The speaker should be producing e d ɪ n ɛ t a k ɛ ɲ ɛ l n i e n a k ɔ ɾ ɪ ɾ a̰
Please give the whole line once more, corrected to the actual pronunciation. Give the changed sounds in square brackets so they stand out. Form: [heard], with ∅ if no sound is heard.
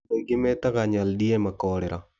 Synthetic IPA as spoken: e [ɡ] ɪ [m] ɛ t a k [a] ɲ [a] l [d] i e [m] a k ɔ ɾ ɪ ɾ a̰